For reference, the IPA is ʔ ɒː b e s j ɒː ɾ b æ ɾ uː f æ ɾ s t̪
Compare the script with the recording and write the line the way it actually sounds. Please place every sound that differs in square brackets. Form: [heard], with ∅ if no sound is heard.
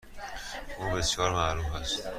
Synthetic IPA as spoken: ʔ [uː] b e s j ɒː ɾ [m] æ ɾ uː f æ [∅] s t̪